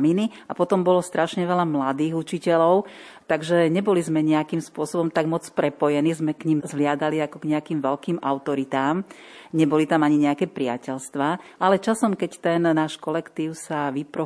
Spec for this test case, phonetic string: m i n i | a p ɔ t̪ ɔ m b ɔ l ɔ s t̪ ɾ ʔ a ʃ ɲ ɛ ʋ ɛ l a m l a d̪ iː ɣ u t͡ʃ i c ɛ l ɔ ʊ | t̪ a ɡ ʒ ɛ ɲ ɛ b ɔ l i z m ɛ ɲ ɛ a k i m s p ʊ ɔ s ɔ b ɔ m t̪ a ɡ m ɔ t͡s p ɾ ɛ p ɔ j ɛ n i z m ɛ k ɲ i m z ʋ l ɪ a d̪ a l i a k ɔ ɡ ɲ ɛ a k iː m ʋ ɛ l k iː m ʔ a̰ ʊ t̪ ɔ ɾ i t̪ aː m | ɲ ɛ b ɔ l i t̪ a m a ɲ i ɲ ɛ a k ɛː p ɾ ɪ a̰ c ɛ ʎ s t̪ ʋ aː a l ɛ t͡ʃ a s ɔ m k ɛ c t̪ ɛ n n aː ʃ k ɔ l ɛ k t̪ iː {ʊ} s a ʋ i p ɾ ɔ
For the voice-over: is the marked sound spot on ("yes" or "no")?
yes